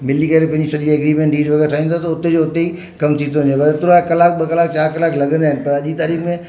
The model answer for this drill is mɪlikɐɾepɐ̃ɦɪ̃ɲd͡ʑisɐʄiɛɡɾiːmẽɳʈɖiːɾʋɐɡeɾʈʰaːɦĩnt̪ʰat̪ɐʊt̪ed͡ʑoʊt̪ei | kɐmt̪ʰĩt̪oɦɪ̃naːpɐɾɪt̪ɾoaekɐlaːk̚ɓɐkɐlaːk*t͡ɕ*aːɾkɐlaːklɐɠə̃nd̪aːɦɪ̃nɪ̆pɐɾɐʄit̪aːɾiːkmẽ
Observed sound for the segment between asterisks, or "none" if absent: t͡ɕ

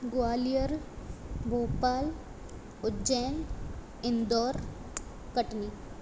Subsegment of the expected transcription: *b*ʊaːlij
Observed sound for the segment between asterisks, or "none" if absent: ɡ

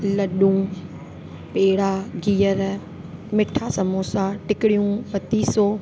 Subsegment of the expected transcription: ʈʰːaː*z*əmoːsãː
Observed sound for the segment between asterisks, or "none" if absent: s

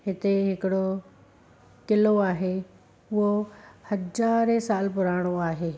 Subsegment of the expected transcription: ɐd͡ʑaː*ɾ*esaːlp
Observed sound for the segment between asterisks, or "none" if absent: ɾ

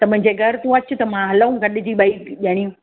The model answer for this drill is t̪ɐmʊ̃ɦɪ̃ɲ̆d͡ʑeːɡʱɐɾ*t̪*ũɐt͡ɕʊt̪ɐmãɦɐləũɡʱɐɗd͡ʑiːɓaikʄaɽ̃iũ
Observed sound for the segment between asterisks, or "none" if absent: t̪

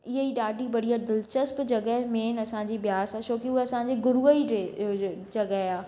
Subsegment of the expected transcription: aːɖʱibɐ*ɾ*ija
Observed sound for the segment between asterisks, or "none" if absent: ɽ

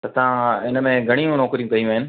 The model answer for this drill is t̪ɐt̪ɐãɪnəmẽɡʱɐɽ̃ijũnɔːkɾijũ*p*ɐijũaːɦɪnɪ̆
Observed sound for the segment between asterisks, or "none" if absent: k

